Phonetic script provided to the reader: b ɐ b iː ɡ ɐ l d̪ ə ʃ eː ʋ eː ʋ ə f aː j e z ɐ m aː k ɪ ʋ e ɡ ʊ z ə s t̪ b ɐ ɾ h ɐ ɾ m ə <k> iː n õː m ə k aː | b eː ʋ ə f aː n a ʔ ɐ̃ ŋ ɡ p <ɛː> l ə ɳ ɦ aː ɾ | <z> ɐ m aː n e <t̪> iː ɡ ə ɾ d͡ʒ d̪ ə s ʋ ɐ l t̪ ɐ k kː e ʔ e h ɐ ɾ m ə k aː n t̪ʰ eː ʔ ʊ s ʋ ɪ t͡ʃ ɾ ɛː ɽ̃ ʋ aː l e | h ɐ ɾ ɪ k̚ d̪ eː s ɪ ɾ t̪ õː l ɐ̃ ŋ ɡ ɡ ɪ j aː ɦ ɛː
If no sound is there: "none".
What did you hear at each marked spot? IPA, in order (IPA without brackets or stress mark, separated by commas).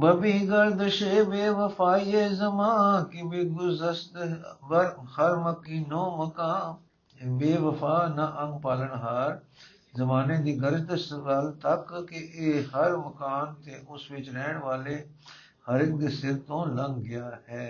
k, aː, z, d̪